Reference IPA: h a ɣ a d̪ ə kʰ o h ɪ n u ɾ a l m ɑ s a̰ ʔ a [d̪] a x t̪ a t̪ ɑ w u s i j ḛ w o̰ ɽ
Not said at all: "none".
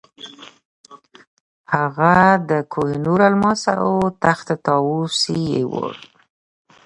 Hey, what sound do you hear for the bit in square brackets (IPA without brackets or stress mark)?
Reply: t̪